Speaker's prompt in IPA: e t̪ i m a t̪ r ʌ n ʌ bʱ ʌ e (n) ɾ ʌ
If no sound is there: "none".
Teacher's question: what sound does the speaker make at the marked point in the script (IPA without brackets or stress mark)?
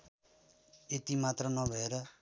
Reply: none